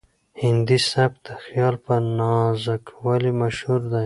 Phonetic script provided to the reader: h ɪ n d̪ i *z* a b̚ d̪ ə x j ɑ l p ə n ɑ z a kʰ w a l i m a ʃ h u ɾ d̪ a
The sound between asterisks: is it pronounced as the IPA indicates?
no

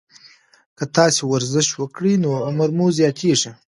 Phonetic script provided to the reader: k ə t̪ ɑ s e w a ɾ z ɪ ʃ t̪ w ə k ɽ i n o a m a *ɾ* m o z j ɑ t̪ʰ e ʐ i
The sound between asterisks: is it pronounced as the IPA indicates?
yes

